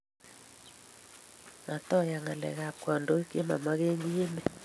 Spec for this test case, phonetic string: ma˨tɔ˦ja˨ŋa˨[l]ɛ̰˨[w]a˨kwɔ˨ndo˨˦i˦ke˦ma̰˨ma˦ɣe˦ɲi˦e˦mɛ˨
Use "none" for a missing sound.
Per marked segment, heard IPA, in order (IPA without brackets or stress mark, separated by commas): l, ɣ